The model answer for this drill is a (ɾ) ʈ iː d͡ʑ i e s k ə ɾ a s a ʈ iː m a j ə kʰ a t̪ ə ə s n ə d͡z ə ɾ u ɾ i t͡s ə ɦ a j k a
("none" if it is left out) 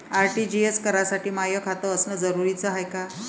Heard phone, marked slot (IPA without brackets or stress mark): ɾ